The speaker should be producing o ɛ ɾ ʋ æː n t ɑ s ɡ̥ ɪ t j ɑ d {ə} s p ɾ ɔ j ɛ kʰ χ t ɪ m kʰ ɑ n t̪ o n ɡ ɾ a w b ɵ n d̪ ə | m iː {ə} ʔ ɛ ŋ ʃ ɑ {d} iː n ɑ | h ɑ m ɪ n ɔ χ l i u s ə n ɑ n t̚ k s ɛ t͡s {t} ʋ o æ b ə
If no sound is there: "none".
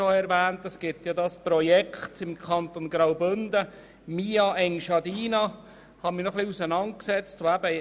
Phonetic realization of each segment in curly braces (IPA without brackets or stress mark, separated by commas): ɑ, ɑ, d, t